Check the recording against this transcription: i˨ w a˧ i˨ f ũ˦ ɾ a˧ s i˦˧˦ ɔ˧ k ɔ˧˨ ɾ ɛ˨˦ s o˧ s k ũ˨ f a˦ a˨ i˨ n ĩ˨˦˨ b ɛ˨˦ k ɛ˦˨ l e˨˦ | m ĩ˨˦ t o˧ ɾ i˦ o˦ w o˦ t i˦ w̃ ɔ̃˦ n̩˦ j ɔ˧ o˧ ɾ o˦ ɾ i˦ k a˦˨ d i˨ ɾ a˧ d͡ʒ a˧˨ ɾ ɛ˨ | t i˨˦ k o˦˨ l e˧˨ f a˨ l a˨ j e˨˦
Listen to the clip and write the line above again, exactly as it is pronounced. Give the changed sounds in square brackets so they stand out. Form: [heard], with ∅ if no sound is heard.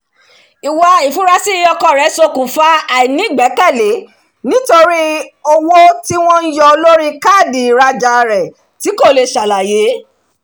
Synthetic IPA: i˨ w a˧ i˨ f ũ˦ ɾ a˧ s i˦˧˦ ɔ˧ k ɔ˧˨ ɾ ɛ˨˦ s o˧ [∅] k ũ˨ f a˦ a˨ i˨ n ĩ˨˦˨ [ɡ͡b] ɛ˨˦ k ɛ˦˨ l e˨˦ | [n] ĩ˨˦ t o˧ ɾ i˦ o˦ w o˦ t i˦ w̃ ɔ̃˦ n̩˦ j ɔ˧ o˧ [l] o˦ ɾ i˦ k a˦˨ d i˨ ɾ a˧ d͡ʒ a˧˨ ɾ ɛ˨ | t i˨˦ k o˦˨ l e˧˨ [ʃ] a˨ l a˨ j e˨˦